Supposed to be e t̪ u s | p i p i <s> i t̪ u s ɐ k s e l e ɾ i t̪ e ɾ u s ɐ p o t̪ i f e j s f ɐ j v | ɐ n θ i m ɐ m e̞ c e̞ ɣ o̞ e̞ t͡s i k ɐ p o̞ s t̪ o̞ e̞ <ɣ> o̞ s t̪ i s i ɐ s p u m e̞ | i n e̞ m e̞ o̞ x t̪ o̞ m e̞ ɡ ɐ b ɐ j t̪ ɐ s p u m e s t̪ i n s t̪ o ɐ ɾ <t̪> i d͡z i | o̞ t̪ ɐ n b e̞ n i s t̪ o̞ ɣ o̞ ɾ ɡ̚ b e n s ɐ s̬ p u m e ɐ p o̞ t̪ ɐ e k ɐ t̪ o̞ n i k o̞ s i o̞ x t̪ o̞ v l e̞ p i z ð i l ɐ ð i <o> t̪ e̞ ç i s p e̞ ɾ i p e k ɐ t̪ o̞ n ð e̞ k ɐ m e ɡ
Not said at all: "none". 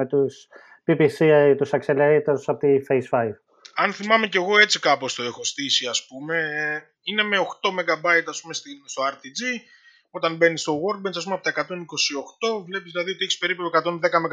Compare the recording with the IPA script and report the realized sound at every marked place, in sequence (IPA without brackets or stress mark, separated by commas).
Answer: s, x, t̪, o